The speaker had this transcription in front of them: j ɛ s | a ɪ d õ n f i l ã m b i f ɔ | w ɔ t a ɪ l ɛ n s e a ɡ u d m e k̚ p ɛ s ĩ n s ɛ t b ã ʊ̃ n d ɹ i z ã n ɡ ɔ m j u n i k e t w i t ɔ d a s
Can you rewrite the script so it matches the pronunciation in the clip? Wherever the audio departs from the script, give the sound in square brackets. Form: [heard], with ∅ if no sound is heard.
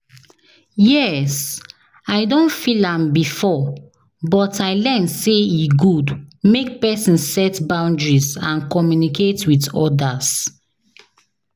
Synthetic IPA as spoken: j ɛ s | a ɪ d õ n f i l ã m b i f ɔ | [b] ɔ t a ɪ l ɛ n s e [i] ɡ u d m e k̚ p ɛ s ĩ n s ɛ t b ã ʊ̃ n d ɹ i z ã n [k] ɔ m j u n i k e t w i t ɔ d a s

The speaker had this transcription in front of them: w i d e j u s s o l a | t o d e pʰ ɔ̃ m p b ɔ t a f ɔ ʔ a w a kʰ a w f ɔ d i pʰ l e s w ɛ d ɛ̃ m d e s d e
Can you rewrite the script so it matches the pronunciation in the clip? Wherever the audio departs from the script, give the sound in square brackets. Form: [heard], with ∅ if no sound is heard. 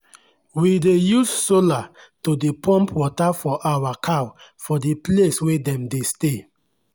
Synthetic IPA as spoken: w i d e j u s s o l a | t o d e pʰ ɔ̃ m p [w] ɔ t a f ɔ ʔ a w a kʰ a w f ɔ d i [p] l e s w [e] d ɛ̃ m d e s [t] e

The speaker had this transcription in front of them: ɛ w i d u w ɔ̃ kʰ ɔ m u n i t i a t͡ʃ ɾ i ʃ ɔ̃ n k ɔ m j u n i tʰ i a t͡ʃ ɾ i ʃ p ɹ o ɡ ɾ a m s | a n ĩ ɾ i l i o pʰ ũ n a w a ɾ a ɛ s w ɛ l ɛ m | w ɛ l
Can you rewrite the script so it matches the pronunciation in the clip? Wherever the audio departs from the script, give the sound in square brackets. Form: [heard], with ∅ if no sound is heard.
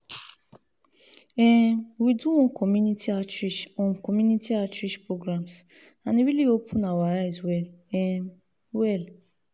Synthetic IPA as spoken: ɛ w i d u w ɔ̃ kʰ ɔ m u n i t i a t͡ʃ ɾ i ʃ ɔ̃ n k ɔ m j u n i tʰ i a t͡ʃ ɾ i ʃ p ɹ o ɡ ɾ a m s | a n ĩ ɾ i l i o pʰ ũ n a w a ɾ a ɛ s w ɛ l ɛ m | w ɛ l

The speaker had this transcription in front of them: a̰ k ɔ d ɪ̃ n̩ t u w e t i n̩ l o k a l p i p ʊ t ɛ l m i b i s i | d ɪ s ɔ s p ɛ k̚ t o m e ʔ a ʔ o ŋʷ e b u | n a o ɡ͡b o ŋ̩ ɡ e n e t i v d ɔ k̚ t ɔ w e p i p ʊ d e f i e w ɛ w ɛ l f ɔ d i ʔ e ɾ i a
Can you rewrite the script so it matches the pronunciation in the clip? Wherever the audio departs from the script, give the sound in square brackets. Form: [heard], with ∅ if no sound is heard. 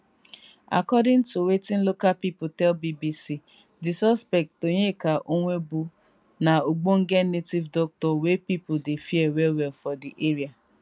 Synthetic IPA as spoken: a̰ k ɔ d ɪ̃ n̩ t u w e t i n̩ l o k a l p i p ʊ t ɛ l [b] i b i s i | d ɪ s ɔ s p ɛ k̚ t o [ɲ] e [k] a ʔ o ŋʷ e b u | n a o ɡ͡b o ŋ̩ ɡ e n e t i v d ɔ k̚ t ɔ w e p i p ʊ d e f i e w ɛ w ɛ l f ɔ d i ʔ e ɾ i a

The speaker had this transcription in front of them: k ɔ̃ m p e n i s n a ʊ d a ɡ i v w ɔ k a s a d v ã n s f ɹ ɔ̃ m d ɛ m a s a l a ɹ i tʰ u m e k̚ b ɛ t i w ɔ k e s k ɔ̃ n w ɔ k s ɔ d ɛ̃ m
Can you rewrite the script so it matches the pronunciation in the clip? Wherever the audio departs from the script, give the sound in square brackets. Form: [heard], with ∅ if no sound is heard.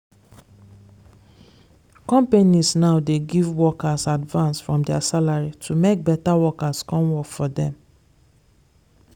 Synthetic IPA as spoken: k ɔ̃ m p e n i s n a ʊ d [e] ɡ i v w ɔ k a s a d v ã n s f ɹ ɔ̃ m d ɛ [∅] a s a l a ɹ i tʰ u m e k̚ b ɛ t [a] w ɔ k [a] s k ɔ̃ n w ɔ k [f] ɔ d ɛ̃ m

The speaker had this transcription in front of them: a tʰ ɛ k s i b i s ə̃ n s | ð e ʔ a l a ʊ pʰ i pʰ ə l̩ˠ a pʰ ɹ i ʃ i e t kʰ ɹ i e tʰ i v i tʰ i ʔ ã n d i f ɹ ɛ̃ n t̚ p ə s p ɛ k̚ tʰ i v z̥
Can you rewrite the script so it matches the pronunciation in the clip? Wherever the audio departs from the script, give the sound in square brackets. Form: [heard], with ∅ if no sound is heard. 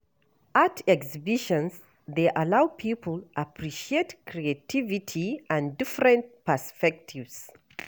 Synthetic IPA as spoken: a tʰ ɛ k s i b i [ʃ] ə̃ n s | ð e ʔ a l a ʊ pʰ i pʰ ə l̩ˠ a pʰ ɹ i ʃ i e t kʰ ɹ i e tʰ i v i tʰ i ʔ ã n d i f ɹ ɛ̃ n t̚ p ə s p ɛ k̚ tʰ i v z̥

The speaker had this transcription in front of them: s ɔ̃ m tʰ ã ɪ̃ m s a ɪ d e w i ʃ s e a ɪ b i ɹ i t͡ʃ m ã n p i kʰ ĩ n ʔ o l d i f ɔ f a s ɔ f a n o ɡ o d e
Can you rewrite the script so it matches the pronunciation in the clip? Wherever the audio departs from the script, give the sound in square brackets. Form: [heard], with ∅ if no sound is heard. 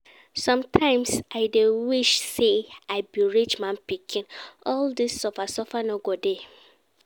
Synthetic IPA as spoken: s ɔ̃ m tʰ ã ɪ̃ m s a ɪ d e w i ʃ s e a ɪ b i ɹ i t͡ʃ m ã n p i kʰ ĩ n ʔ [ɔ] l d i [s] ɔ f a s ɔ f a n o ɡ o d e

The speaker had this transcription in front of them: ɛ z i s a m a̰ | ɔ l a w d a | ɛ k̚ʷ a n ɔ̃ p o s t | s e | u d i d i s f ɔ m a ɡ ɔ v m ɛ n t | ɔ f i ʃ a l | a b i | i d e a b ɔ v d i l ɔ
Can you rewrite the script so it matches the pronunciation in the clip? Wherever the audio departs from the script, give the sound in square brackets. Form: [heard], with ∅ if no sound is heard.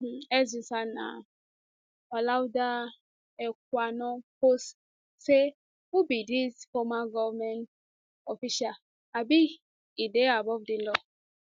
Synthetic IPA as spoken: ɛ z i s a [n] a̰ | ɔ l a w d a | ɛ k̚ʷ a n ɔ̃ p o s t | s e | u [b] i d i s f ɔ m a ɡ ɔ v m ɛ n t | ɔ f i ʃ a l | a b i | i d e a b ɔ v d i l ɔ

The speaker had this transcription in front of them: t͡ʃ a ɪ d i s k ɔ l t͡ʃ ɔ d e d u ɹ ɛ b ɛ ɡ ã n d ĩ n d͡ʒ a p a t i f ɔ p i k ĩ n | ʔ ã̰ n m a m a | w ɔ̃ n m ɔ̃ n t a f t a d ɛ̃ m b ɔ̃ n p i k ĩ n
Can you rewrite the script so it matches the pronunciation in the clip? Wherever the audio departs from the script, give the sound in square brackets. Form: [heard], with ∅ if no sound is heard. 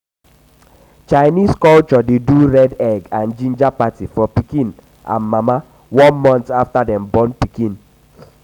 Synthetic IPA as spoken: t͡ʃ a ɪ [n] i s k ɔ l t͡ʃ ɔ d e d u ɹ ɛ [d] ɛ ɡ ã n [d͡ʒ] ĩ n d͡ʒ a p a t i f ɔ p i k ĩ n | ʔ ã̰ n m a m a | w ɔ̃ n m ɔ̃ n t a f t a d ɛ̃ m b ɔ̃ n p i k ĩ n

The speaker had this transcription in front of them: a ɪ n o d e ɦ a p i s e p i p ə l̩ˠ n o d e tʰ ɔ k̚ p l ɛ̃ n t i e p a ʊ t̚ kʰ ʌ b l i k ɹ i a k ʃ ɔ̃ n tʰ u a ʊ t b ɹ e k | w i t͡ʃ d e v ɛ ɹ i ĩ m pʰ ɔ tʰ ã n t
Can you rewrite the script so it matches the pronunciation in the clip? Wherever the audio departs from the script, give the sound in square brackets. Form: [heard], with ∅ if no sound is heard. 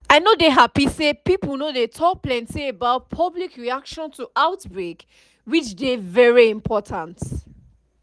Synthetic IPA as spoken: a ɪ n o d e ɦ a p i s e p i p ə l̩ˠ n o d e tʰ ɔ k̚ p l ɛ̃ n t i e [b] a ʊ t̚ [pʰ] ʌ b l i k ɹ i a k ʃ ɔ̃ n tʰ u a ʊ t b ɹ e k | w i t͡ʃ d e v ɛ ɹ i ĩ m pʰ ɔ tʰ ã n t

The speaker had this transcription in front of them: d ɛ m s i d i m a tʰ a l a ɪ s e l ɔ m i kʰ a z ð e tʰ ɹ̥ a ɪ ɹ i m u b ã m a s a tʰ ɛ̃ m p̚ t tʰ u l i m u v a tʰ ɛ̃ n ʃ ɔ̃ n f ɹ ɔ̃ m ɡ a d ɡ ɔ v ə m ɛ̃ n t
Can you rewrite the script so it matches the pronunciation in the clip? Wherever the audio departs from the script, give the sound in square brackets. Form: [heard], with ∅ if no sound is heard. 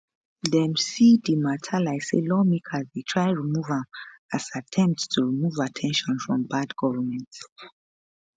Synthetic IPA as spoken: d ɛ m s i d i m a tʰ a l a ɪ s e l ɔ m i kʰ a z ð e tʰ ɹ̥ a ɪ ɹ i m u [v] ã m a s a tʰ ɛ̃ m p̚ t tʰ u [ɹ] i m u v a tʰ ɛ̃ n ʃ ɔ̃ n f ɹ ɔ̃ m [b] a d ɡ ɔ v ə m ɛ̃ n t

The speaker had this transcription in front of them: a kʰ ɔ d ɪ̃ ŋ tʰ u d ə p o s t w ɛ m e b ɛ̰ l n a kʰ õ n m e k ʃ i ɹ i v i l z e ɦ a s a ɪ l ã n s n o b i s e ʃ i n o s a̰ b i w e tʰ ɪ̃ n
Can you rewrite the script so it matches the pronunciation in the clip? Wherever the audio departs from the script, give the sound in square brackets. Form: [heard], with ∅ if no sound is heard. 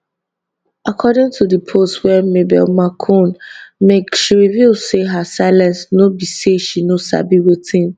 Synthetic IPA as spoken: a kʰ ɔ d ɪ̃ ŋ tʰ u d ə [pʰ] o s t w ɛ m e b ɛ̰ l [m] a kʰ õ n m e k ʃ i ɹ i v i l [s] e ɦ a s a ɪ l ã n s n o b i s e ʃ i n o s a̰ b i w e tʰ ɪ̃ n

